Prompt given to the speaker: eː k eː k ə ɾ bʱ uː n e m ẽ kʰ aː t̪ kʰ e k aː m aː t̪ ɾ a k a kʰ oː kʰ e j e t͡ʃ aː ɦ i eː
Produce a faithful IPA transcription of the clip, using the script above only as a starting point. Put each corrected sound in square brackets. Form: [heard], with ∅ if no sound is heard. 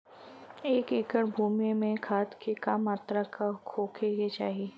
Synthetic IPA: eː k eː k ə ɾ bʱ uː [m] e m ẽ kʰ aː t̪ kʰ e k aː m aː t̪ ɾ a k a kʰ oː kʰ e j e t͡ʃ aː ɦ i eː